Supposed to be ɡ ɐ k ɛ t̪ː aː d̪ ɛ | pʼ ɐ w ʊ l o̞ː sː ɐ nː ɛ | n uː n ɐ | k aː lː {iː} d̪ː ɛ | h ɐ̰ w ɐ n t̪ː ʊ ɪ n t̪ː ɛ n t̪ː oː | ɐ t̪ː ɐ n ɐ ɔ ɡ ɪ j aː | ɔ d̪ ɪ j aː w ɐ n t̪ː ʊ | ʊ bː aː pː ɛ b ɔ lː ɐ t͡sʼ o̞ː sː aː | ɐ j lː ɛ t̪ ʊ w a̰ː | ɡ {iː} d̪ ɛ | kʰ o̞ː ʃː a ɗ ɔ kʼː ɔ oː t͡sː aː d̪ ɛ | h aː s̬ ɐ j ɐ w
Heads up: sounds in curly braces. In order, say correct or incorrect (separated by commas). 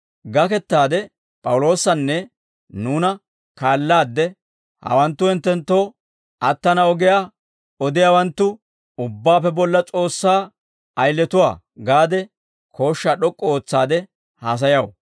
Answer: incorrect, incorrect